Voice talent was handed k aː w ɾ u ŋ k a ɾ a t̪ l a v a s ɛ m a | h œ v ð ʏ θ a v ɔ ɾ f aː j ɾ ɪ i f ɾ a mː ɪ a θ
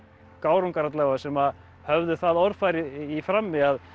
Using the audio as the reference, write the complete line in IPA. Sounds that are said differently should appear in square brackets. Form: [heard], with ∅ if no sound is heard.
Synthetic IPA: k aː w ɾ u ŋ k a ɾ a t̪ l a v a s ɛ m a | h œ v ð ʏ θ a [ð] ɔ ɾ f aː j ɾ ɪ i f ɾ a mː ɪ a [ð]